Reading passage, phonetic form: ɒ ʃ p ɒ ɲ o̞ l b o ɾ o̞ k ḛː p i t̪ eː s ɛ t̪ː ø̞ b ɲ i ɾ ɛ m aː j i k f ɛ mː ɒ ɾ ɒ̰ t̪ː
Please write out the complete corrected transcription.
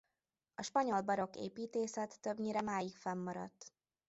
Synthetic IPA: ɒ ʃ p ɒ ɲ o̞ l b ɒ ɾ o̞ k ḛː p iː t̪ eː s ɛ t̪ː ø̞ b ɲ i ɾ ɛ m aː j i k f ɛ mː ɒ ɾ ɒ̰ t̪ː